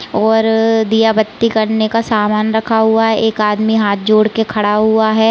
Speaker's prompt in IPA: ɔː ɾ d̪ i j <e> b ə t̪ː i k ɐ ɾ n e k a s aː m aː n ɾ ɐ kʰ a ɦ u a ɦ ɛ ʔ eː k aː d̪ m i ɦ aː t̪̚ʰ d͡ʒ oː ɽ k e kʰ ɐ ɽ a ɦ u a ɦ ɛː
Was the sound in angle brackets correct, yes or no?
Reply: no